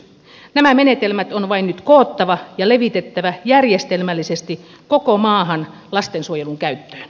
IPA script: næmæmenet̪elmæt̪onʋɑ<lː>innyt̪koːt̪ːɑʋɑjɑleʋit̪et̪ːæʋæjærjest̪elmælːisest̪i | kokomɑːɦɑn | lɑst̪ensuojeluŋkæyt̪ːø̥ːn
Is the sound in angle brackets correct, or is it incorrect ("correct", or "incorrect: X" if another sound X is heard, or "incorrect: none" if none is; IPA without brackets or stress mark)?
incorrect: none